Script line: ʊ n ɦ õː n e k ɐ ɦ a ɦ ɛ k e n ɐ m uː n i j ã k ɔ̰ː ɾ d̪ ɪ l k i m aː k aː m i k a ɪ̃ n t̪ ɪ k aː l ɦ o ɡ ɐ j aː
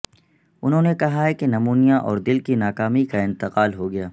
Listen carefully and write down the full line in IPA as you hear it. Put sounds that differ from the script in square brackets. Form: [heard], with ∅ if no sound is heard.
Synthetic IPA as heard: ʊ n ɦ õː n e k ɐ ɦ a ɦ ɛ k e n ɐ m uː n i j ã [ʔ] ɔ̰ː ɾ d̪ ɪ l k i [n] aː k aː m i k a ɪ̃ n t̪ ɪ [q] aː l ɦ o ɡ ɐ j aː